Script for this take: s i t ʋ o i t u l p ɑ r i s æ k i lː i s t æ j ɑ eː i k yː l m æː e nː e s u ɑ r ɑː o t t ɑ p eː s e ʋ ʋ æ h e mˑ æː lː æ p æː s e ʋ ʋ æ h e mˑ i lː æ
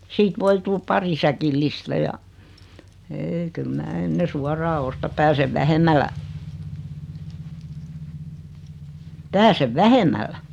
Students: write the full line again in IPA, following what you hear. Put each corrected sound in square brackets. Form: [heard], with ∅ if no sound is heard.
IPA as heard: s [iː] t ʋ o i t u l p ɑ r i s æ k i lː i s t æ j ɑ eː i k [y] l m æː e nː e s u ɑ r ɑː o [s] t ɑ p [æː] s e ʋ ʋ æ h e mˑ [æ] lː æ p æː s e ʋ ʋ æ h e mˑ [æ] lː æ

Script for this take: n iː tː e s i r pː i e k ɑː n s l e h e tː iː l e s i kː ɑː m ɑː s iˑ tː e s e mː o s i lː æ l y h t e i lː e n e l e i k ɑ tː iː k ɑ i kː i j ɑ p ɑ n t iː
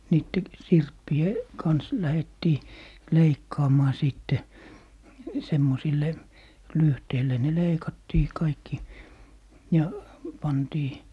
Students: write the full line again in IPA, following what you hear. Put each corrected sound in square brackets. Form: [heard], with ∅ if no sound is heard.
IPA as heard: n iː tː e s i r pː i e k [ɑ] n s l [æ] h e tː iː l e [∅] i kː ɑː m ɑː s iˑ tː e s e mː o s i lː [e] l y h t e i lː e n e l e i k ɑ tː iː k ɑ i kː i j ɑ p ɑ n t iː

